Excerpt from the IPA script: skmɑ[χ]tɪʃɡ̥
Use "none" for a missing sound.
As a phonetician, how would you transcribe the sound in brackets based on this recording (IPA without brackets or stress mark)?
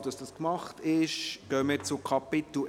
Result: χ